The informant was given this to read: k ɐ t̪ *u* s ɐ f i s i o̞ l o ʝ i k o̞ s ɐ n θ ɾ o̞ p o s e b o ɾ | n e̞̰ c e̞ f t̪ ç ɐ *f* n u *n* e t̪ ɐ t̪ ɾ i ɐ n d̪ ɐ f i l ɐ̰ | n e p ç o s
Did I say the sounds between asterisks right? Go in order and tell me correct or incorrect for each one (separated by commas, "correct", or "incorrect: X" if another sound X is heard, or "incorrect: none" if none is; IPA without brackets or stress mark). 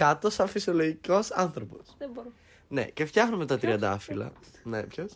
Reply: incorrect: o, incorrect: x, incorrect: m